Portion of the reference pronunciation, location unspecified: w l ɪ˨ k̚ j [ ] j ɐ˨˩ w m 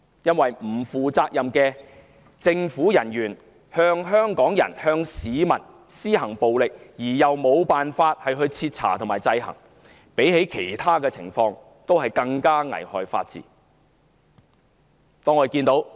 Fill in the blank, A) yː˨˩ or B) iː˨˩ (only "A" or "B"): B